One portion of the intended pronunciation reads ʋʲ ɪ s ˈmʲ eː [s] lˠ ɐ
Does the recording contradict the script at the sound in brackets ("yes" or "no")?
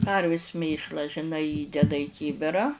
yes